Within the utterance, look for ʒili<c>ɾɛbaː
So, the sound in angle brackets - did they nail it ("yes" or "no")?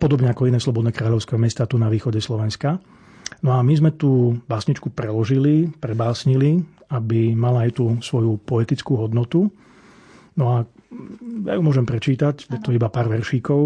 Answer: no